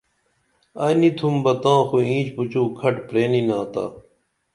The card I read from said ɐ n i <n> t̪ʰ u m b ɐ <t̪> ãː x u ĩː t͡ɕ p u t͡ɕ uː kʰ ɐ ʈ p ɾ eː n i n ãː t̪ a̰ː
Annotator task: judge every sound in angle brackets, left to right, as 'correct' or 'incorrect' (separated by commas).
incorrect, correct